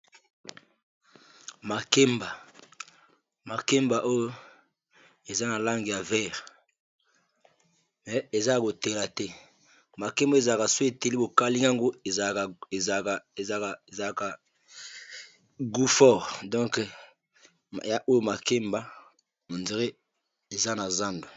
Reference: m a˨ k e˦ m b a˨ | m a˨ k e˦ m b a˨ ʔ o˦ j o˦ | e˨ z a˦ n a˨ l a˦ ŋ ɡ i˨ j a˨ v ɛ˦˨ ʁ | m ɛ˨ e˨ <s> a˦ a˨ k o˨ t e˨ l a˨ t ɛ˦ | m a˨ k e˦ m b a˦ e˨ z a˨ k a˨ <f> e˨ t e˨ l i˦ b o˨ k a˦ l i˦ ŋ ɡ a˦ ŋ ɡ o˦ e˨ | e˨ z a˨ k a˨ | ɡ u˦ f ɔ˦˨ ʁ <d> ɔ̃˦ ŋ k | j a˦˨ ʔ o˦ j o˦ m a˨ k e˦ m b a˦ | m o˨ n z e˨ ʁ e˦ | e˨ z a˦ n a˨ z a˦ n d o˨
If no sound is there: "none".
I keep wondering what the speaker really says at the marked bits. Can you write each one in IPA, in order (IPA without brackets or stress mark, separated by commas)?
z, s, d